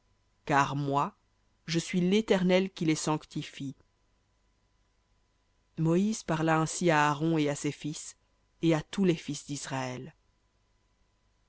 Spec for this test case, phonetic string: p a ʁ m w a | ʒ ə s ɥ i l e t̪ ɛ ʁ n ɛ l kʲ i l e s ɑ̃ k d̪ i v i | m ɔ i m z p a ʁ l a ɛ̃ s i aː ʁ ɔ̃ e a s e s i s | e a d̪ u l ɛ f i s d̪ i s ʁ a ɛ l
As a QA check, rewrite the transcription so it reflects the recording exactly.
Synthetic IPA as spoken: k a ʁ m w a | ʒ ə s ɥ i l e t̪ ɛ ʁ n ɛ l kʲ i l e s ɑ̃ k t̪ i f i | m ɔ i z p a ʁ l a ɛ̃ s i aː ʁ ɔ̃ e a s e f i s | e a t̪ u l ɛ f i s d̪ i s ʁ a ɛ l